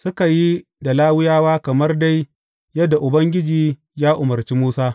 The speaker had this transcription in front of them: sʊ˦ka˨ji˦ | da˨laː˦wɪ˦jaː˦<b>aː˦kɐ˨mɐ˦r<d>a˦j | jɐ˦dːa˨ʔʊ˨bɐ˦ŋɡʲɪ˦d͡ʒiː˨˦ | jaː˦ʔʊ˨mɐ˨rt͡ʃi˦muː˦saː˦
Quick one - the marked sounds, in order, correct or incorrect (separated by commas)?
incorrect, correct